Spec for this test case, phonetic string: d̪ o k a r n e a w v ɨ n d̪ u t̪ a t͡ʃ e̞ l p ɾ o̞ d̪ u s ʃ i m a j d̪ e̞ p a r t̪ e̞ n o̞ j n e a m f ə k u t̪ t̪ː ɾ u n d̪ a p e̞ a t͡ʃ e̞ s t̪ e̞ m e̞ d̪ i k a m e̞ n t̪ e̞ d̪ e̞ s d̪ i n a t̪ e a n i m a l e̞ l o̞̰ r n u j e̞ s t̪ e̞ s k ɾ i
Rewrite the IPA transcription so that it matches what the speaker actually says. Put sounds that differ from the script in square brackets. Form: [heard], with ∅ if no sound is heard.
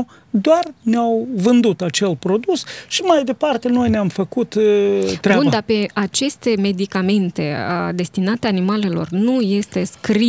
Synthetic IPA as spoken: d̪ o [∅] a r n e a w v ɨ n d̪ u t̪ a t͡ʃ e̞ l p ɾ o̞ d̪ u s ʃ i m a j d̪ e̞ p a r t̪ e̞ n o̞ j n e a m f ə k u t̪ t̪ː ɾ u n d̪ a p e̞ a t͡ʃ e̞ s t̪ e̞ m e̞ d̪ i k a m e̞ n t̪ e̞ d̪ e̞ s [t̪] i n a t̪ e a n i m a l e̞ l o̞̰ r n u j e̞ s t̪ e̞ s k ɾ i